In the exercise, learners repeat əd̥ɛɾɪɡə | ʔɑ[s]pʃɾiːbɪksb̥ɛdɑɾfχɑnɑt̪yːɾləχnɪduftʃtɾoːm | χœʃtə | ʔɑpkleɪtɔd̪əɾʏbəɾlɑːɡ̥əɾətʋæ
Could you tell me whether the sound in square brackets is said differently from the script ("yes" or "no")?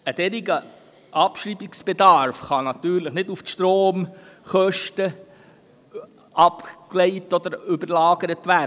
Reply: yes